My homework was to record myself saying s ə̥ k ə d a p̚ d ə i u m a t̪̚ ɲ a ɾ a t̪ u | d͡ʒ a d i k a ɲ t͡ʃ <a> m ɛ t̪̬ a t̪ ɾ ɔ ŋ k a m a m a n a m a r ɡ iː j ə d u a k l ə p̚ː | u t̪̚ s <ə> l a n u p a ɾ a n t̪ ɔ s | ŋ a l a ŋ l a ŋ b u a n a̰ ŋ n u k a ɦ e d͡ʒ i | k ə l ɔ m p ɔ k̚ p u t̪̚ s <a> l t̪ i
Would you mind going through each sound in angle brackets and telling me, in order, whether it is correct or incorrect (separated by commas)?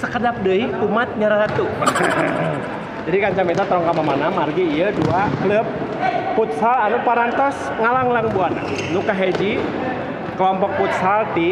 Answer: correct, incorrect, correct